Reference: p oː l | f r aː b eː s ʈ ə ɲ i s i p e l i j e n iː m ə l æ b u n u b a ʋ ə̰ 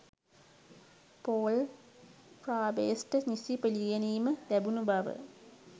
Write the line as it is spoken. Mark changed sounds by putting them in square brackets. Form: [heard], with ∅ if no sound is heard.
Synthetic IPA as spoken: p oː l | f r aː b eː s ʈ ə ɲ i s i p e l i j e n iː m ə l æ b u n u b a ʋ ə̰

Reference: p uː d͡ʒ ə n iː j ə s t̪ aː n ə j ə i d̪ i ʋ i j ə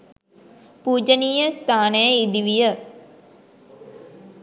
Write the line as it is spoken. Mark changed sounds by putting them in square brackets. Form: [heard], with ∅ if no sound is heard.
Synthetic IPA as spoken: p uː d͡ʒ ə n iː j ə s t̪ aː n ə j ə i d̪ i ʋ i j ə

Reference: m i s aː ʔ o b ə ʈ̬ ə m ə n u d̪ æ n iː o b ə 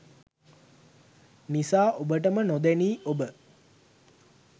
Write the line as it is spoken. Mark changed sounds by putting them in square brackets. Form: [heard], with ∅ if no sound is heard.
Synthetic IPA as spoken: [n] i s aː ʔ o b ə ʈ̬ ə m ə n [o] d̪ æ n iː o b ə

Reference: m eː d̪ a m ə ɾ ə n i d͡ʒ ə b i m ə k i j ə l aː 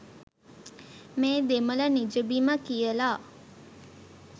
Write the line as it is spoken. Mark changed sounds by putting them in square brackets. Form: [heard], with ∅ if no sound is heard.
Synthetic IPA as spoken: m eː d̪ [e] m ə [l] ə n i d͡ʒ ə b i m ə k i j ə l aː

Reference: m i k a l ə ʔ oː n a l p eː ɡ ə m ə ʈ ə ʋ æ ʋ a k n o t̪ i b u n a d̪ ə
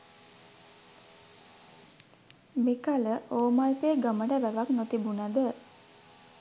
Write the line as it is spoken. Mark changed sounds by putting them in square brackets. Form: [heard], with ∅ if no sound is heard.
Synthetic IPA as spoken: m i k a l ə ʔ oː [m] a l p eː ɡ ə m ə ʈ ə ʋ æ ʋ a k n o t̪ i b u n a d̪ ə

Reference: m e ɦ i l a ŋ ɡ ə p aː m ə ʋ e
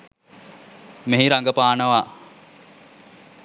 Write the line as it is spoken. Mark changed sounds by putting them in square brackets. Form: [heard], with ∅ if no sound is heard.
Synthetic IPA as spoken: m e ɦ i [ɾ] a ŋ ɡ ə p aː [n] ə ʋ [a]

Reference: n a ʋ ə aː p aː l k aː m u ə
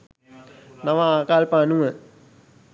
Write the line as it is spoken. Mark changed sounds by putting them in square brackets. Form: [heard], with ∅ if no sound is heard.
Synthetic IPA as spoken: n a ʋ [a] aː [k] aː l [p] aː [n] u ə

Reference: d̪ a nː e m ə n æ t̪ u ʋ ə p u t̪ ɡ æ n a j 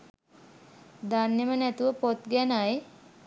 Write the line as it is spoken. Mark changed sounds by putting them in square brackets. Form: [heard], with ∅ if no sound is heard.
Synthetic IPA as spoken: d̪ a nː e m ə n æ t̪ u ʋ ə p [o] t̪ ɡ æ n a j

